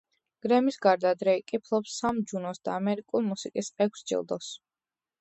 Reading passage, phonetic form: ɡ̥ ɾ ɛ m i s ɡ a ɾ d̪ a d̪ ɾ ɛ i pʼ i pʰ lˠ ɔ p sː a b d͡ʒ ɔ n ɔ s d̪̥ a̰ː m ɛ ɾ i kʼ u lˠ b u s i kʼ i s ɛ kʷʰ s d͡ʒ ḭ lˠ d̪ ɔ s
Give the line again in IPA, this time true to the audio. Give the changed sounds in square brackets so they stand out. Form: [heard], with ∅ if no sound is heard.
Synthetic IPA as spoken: ɡ̥ ɾ ɛ m i s ɡ a ɾ d̪ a d̪ ɾ ɛ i [kʼ] i pʰ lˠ ɔ p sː a [m] d͡ʒ [u] n ɔ s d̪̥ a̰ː m ɛ ɾ i kʼ u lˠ [m] u s i kʼ i s ɛ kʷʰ s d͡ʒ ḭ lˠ d̪ ɔ s